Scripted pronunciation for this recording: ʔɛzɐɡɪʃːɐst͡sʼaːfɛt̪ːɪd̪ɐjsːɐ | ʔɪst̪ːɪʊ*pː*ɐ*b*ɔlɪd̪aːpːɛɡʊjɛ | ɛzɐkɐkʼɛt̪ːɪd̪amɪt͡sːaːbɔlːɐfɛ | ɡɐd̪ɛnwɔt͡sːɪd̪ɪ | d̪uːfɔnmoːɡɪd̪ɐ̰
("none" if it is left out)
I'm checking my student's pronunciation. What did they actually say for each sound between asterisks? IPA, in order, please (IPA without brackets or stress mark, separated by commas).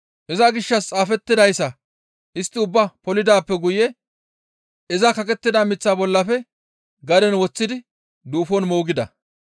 bː, p